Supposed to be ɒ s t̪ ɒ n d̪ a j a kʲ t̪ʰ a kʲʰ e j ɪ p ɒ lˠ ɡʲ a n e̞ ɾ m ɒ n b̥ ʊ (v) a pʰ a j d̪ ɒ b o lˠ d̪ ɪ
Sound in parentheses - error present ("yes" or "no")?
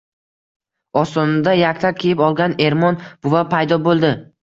no